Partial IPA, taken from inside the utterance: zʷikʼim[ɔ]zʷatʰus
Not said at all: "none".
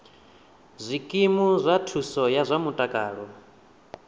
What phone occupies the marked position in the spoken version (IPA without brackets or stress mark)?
u